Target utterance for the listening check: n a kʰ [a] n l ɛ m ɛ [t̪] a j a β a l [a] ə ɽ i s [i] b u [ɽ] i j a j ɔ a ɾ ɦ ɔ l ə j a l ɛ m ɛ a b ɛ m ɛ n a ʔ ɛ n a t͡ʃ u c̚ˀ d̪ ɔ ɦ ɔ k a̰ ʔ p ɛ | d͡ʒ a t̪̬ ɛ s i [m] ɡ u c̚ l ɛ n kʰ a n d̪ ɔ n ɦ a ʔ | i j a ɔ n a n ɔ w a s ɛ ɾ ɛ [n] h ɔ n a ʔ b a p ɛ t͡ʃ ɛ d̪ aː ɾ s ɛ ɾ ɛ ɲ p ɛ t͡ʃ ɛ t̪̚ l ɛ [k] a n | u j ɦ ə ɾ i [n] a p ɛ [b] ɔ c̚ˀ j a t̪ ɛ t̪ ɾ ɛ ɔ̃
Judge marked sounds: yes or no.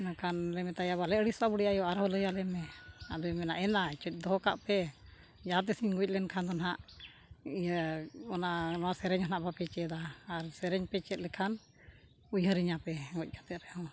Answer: yes, yes, no, no, yes, no, no, no, no, no

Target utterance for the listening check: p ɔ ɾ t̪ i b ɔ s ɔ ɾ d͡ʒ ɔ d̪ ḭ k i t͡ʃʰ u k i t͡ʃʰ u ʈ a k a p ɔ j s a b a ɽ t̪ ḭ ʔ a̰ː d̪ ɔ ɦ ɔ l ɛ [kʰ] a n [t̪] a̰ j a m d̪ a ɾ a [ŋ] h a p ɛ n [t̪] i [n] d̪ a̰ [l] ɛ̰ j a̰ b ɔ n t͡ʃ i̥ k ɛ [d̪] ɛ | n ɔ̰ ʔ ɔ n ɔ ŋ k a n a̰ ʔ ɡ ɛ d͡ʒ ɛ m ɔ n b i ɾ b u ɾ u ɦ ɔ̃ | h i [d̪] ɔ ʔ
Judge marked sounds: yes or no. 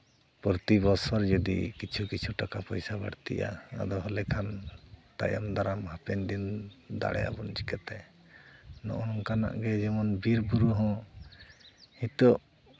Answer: yes, yes, no, no, yes, no, no, no

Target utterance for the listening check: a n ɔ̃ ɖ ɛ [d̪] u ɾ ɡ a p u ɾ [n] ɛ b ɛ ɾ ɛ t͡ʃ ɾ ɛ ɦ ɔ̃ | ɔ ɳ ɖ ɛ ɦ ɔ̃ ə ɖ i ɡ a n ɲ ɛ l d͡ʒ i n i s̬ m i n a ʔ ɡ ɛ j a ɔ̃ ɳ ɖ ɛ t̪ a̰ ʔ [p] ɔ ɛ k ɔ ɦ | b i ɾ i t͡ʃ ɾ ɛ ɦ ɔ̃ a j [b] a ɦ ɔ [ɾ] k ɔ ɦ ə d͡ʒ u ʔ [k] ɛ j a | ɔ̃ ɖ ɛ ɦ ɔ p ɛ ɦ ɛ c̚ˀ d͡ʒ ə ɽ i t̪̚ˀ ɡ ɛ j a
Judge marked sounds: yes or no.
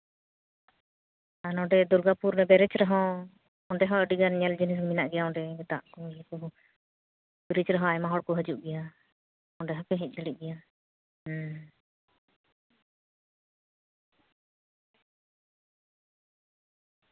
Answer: yes, yes, no, no, no, no

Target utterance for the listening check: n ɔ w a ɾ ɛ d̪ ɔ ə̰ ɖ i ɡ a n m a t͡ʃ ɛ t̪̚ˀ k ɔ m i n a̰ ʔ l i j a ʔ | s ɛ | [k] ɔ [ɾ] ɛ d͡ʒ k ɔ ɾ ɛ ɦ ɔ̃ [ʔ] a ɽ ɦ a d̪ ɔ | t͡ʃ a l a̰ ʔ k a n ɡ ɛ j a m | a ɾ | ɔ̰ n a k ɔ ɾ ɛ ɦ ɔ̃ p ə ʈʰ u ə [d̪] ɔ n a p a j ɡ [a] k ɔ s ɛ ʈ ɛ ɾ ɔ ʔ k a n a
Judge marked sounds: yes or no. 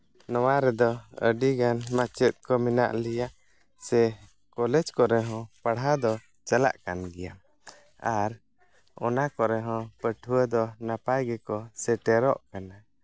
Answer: yes, no, no, yes, no

